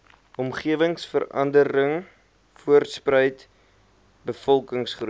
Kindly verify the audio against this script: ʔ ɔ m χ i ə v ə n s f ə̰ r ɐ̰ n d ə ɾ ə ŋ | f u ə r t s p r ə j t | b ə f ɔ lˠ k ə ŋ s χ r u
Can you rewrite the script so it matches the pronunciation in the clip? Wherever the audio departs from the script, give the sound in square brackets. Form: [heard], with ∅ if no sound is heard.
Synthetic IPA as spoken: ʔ ɔ m χ i ə v ə [ŋ] s f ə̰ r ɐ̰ n d ə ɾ ə ŋ | f u ə r t s p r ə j t | b ə f ɔ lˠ k ə ŋ s χ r u